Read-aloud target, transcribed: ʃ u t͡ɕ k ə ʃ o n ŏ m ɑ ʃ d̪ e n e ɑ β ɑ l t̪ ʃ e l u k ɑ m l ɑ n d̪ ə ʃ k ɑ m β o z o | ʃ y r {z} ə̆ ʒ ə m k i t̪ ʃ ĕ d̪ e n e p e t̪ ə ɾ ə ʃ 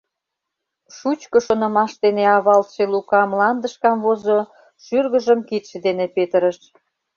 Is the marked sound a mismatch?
yes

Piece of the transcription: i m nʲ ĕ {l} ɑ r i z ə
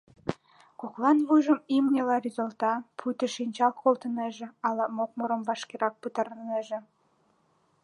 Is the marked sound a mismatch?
no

